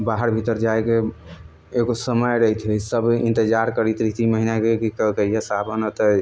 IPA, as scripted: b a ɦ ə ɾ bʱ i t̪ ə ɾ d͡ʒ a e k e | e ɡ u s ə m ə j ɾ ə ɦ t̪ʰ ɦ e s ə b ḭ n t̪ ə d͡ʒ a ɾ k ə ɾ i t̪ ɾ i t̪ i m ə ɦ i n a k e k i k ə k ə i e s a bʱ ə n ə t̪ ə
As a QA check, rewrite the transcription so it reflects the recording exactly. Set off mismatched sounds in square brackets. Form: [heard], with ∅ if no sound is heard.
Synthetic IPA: b a ɦ ə ɾ bʱ i t̪ ə ɾ d͡ʒ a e k e | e ɡ [o] s ə m ə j ɾ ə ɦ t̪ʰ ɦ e s ə b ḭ n t̪ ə d͡ʒ a ɾ k ə ɾ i t̪ ɾ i t̪ i m ə ɦ i n a k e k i k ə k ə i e s a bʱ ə n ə t̪ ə